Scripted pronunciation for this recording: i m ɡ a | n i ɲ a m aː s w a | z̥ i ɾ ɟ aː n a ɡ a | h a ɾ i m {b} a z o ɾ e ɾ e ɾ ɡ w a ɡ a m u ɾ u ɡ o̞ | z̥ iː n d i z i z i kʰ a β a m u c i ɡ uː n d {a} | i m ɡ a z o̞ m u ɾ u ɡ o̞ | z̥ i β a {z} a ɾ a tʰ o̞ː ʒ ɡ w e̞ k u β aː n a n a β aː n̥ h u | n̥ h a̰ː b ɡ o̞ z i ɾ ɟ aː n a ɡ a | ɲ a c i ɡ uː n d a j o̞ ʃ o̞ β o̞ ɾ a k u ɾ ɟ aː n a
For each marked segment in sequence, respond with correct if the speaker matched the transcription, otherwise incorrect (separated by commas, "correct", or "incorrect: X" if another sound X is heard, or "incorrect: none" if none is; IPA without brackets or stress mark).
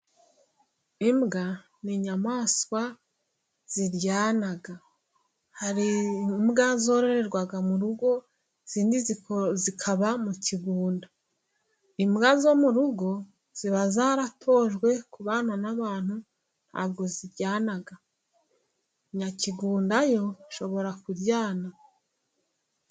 incorrect: ɡ, correct, correct